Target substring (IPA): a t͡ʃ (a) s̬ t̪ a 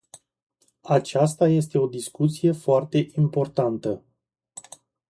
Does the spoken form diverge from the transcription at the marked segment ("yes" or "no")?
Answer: no